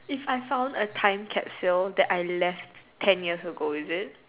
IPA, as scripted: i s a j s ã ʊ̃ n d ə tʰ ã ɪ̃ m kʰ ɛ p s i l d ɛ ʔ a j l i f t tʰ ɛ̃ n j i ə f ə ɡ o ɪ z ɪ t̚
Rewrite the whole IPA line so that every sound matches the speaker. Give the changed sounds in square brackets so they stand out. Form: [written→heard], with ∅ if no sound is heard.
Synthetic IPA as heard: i [s→f] a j [s→f] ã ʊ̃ n d ə tʰ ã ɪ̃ m kʰ ɛ p s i l d ɛ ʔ a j l [i→ɛ] f t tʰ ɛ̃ n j i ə [f→s] ə ɡ o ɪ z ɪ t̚